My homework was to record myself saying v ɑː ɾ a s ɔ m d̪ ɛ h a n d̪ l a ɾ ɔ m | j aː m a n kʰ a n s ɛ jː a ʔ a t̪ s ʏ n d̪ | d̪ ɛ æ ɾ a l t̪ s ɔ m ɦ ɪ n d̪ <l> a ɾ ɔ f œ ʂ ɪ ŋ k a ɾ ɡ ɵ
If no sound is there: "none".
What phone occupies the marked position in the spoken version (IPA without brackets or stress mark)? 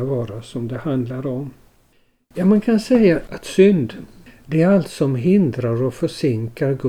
ɾ